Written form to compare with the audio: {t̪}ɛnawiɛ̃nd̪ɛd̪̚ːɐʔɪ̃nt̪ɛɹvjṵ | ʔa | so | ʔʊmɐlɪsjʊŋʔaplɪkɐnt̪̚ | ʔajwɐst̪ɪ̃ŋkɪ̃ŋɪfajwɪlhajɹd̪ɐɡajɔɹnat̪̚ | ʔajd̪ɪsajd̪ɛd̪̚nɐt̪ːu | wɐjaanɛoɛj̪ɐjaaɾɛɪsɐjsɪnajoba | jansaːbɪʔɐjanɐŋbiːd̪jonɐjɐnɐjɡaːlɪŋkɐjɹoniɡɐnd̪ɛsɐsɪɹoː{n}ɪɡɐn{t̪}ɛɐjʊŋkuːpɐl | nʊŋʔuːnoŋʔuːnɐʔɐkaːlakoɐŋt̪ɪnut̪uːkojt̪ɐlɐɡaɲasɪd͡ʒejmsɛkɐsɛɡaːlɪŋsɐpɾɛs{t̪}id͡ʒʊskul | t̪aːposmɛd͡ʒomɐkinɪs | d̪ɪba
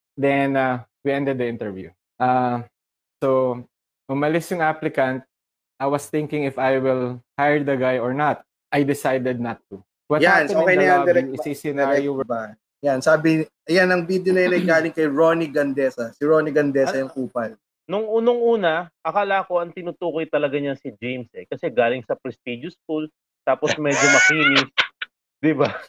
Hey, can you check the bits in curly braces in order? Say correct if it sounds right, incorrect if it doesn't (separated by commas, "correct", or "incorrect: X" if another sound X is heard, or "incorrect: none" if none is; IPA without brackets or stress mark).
incorrect: d̪, correct, incorrect: d̪, correct